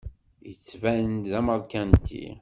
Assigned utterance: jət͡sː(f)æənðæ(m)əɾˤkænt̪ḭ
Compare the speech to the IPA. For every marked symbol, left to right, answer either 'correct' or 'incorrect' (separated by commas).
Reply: incorrect, correct